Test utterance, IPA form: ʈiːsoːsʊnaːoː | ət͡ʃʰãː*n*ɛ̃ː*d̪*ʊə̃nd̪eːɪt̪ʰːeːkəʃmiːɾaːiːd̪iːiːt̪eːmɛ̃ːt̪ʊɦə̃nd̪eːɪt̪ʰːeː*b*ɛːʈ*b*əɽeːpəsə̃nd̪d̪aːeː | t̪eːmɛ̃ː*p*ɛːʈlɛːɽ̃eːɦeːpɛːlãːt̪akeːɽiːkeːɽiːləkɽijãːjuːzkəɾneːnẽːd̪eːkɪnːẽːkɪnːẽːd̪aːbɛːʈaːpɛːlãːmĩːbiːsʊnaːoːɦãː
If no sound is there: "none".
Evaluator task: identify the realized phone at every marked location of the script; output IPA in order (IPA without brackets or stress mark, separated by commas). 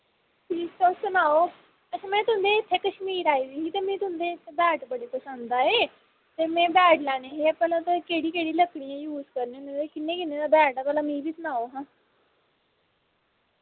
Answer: m, t̪, b, b, b